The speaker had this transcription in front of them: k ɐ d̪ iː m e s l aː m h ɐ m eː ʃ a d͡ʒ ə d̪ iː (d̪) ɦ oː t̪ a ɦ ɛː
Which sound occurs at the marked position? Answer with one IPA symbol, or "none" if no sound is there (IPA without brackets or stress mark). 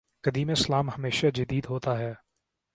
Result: d̪